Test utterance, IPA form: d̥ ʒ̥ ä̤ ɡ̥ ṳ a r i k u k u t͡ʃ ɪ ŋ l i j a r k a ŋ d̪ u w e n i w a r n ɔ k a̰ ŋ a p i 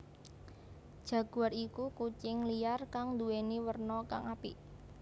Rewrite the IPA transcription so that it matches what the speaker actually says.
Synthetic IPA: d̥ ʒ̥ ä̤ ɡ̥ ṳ a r i k u k u t͡ʃ ɪ ŋ l i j a r k a ŋ d̪ u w e n i w ə r n ɔ k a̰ ŋ a p i

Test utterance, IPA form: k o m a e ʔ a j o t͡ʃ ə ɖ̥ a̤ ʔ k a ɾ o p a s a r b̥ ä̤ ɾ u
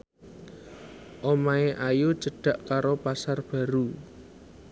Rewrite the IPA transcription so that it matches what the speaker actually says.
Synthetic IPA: ʔ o m a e ʔ a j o t͡ʃ ə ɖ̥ a̤ ʔ k a ɾ o p a s a r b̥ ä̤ ɾ u

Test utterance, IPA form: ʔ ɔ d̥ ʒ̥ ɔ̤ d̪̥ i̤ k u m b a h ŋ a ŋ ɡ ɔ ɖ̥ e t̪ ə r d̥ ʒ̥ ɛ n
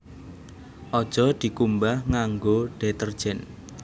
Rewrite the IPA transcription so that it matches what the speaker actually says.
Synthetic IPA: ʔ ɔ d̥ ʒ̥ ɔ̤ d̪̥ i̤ k u m b a h ŋ a ŋ ɡ o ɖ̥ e t̪ ə r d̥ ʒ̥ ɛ n

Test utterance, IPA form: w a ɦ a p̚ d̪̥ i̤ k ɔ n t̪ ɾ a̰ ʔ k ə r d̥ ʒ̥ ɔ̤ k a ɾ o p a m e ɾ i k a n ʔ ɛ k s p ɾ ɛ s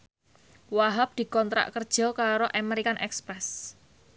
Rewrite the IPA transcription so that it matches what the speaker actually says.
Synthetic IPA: w a ɦ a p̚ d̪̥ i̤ k ɔ n t̪ ɾ a̰ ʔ k ə r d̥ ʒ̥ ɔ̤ k a ɾ o ʔ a m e ɾ i k a n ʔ ɛ k s p ɾ ɛ s

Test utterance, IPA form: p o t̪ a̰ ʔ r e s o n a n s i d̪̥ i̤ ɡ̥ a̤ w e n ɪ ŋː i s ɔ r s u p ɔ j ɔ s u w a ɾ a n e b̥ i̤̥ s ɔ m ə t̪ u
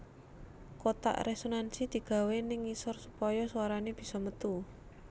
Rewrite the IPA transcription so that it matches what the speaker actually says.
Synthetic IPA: k o t̪ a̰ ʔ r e s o n a n s i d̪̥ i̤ ɡ̥ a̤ w e n ɪ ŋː i s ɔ r s u p ɔ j ɔ s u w a ɾ a n e b̥ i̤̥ s ɔ m ə t̪ u

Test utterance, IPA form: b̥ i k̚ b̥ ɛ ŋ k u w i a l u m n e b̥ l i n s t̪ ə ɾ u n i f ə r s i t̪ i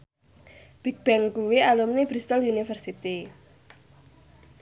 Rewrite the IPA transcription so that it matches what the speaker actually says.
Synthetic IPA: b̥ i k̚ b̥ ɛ ŋ k u w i a l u m n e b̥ ɾ i s t̪ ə l u n i f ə r s i t̪ i

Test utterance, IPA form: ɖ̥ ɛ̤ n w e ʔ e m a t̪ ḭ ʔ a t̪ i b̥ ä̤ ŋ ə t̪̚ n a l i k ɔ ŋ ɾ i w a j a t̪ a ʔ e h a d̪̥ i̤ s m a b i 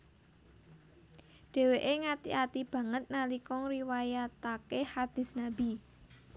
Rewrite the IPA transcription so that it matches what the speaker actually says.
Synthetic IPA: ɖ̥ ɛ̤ w e ʔ e ŋ a t̪ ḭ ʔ a t̪ i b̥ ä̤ ŋ ə t̪̚ n a l i k ɔ ŋ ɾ i w a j a t̪ a k e h a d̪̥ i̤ s n a b i

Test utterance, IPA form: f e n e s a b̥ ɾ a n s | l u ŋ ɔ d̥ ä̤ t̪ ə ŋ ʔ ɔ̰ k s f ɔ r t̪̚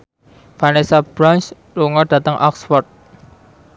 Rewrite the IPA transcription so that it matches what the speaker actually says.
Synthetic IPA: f a n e s a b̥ ɾ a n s | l u ŋ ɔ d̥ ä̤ t̪ ə ŋ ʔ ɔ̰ k s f ɔ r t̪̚

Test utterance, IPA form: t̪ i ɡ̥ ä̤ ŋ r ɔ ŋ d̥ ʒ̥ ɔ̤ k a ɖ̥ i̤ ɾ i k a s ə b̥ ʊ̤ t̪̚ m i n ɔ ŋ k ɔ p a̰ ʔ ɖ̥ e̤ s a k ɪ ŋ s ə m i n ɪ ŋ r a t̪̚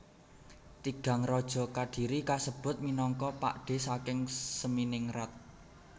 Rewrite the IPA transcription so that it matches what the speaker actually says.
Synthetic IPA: t̪ i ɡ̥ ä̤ ŋ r ɔ d̥ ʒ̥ ɔ̤ k a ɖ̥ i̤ ɾ i k a s ə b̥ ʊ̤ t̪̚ m i n ɔ ŋ k ɔ p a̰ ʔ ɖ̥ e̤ s a k ɪ ŋ s ə m i n ɪ ŋ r a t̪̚

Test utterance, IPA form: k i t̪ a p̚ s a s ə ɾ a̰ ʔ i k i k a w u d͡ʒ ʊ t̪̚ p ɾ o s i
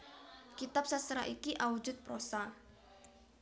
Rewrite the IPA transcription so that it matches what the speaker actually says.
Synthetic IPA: k i t̪ a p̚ s a s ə ɾ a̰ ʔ i k i ʔ a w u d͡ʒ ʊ t̪̚ p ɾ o s a

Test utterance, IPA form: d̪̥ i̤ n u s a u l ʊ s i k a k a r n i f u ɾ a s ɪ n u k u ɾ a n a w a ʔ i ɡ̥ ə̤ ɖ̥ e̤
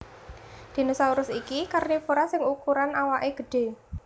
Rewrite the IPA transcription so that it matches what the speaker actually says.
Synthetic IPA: d̪̥ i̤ n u s a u ɾ ʊ s i k i k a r n i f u ɾ a s ɪ ŋ u k u ɾ a n a w a ʔ e ɡ̥ ə̤ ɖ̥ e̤

